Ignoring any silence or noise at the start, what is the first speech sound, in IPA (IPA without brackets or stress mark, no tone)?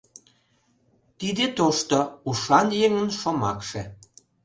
t̪